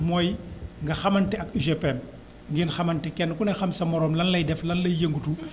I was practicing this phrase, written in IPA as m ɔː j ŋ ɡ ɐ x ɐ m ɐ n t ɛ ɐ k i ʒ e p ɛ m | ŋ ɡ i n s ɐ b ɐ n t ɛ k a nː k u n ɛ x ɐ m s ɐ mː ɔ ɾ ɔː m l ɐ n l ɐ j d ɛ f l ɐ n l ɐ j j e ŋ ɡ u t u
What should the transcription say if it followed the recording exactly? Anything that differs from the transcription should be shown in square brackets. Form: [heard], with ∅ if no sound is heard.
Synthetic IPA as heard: m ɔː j ŋ ɡ ɐ x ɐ m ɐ n t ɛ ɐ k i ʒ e p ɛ m | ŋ ɡ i n [x] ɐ [m] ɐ n t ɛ k [ɛ] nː k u n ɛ x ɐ m s ɐ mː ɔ ɾ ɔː m l ɐ n l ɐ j d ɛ f l ɐ n l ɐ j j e ŋ ɡ u t u